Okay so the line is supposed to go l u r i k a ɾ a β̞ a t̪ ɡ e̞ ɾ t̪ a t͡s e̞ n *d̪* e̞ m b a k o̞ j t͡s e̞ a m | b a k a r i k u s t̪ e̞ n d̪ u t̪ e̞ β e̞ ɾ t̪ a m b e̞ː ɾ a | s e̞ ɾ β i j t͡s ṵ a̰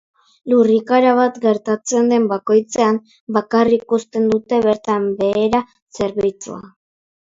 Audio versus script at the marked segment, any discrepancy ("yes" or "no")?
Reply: no